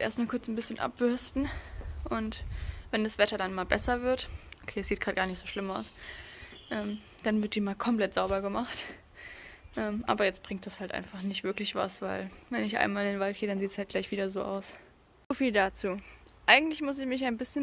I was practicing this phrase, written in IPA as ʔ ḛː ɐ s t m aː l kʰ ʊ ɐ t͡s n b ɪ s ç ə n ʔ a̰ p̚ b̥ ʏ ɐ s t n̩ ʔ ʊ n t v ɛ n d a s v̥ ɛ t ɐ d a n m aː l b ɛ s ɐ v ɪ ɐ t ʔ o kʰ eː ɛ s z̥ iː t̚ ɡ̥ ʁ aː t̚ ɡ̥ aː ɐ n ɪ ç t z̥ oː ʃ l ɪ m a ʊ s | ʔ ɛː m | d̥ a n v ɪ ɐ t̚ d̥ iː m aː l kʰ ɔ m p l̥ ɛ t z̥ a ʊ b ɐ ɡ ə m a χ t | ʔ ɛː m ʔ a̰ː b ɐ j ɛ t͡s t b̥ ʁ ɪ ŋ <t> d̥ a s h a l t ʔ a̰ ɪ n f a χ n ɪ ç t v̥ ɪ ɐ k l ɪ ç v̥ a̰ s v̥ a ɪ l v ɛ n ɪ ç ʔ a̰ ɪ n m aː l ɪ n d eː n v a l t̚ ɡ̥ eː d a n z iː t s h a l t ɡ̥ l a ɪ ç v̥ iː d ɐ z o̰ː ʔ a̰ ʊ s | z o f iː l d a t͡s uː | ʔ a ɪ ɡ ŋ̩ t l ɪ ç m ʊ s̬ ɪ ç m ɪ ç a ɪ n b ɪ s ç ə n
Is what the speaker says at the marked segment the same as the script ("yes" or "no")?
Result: yes